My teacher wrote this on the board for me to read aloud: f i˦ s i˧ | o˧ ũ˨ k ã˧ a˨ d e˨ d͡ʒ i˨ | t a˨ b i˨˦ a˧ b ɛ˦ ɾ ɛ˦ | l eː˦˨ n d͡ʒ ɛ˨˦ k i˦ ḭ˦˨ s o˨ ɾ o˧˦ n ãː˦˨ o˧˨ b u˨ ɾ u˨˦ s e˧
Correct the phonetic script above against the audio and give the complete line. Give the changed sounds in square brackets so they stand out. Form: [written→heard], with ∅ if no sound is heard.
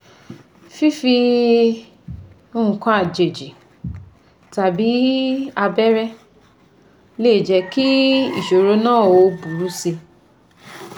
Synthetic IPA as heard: f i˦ [s→f] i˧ | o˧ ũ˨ k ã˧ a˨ [d→d͡ʒ] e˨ d͡ʒ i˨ | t a˨ b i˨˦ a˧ b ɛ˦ ɾ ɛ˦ | l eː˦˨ [n→∅] d͡ʒ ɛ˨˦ k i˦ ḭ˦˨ [s→ʃ] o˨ ɾ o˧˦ n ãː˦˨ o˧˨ b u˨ ɾ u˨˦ s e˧